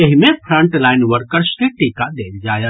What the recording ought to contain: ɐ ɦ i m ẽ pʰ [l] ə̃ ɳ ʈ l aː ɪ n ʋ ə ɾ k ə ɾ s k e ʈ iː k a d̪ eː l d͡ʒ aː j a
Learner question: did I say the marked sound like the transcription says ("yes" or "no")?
no